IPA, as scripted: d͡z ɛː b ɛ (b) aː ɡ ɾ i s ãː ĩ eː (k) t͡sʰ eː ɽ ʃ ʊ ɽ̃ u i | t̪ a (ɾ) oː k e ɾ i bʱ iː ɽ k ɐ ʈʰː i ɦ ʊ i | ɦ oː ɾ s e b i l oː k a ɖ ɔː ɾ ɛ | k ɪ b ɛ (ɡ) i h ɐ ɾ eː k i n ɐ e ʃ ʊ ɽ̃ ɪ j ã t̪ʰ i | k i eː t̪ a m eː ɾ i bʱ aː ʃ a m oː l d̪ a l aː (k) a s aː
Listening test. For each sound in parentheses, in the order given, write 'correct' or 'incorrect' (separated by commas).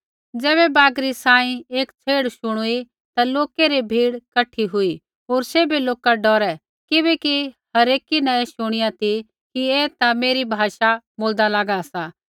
correct, correct, incorrect, incorrect, incorrect